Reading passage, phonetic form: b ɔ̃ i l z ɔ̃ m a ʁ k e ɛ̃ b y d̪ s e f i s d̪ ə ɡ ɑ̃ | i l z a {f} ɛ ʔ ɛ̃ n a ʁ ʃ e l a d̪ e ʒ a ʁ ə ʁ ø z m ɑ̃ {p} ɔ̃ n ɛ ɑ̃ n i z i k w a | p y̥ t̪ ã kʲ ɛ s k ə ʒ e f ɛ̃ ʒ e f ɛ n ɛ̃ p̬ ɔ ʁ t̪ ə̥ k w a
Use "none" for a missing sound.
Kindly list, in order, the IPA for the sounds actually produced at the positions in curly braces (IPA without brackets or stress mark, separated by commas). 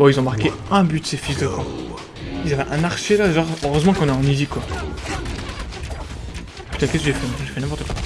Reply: v, k